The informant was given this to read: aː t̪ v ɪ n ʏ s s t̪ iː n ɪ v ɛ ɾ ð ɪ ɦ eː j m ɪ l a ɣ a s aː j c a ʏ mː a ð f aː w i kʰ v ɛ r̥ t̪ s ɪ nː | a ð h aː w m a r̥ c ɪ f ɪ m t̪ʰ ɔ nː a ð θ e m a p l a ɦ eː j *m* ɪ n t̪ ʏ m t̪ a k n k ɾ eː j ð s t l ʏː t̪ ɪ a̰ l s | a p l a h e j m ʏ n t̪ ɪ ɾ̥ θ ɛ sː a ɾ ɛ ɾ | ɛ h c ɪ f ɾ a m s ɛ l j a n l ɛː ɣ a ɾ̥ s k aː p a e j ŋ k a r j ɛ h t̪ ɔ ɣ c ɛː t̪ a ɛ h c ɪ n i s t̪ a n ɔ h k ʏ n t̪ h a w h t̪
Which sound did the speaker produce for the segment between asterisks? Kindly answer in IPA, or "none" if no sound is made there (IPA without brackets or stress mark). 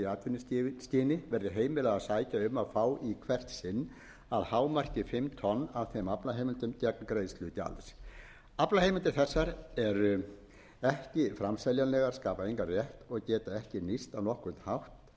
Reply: m